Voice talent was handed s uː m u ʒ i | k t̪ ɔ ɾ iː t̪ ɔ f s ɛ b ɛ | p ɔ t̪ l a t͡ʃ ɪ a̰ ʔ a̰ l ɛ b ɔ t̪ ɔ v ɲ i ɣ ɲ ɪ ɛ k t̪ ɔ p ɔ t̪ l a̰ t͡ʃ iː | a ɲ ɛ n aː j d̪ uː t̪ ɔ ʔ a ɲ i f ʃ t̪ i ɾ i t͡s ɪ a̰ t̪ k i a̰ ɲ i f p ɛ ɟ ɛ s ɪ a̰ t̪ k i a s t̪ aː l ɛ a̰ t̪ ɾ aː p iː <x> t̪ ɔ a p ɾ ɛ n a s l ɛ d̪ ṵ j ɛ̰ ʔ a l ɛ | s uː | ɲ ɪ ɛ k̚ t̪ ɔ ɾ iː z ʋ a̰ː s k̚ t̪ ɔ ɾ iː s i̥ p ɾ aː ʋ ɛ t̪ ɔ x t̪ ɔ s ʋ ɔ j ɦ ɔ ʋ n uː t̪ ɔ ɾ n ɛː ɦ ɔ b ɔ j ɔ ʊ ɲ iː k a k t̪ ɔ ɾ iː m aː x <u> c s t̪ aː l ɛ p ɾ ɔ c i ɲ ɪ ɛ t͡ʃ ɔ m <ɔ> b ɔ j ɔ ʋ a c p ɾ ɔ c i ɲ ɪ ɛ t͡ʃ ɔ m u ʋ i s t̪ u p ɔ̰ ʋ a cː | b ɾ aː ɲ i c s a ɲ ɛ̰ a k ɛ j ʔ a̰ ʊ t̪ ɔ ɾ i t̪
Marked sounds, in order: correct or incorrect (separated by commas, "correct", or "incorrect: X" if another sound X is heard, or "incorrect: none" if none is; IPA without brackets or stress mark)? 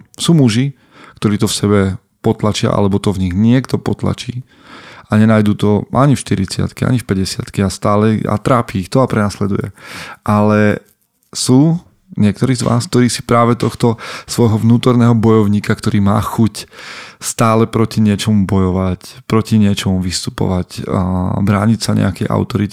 correct, correct, incorrect: u